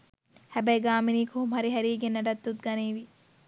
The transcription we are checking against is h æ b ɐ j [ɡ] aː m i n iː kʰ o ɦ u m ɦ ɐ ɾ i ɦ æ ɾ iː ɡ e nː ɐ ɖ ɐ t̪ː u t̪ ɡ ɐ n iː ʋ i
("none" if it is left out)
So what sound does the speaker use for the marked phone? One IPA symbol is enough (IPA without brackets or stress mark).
ɡ